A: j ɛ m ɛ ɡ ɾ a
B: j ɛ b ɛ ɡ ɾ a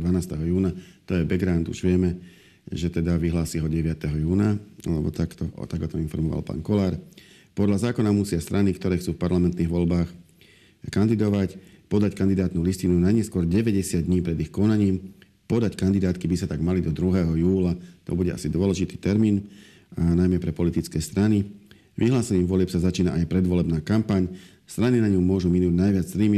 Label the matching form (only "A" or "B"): B